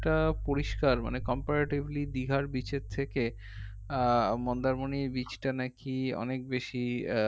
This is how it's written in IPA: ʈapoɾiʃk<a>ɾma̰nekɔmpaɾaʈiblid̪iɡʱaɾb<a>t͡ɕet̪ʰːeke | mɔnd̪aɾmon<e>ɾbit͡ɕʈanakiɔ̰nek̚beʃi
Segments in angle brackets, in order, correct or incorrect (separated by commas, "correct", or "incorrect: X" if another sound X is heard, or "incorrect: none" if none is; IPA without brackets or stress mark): correct, incorrect: i, incorrect: i